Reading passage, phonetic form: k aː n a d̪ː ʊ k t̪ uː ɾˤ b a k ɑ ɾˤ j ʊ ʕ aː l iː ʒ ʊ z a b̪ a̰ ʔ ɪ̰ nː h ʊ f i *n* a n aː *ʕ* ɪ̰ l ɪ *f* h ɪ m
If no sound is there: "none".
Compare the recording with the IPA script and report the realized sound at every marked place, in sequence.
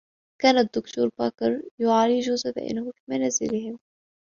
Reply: m, z, none

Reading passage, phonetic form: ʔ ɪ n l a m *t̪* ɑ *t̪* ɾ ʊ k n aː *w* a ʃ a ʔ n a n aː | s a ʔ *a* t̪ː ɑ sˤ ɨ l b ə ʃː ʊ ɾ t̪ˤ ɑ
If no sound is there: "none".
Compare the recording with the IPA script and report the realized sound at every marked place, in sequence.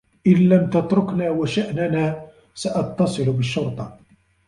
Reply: t̪, t̪, w, ɑ

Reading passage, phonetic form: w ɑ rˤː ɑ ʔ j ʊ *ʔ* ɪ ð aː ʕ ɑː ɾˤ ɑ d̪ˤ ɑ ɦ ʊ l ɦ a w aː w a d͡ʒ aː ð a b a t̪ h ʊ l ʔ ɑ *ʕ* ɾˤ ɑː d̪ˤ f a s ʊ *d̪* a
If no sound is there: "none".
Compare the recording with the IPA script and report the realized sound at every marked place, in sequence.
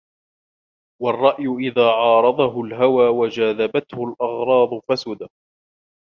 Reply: ʔ, ɣ, d̪

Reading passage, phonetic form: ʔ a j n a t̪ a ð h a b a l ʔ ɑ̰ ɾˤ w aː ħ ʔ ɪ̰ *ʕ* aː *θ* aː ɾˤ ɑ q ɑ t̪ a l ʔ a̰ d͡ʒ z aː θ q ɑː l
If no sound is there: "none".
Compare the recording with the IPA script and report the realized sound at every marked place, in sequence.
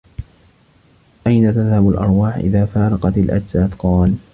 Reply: ð, f

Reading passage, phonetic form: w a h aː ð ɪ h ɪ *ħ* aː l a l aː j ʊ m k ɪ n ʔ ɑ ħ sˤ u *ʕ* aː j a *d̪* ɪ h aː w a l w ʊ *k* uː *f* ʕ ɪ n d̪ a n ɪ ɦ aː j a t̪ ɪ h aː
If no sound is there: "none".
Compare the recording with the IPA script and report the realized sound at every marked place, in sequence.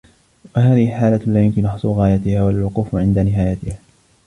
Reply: ħ, ɣ, t̪, q, f

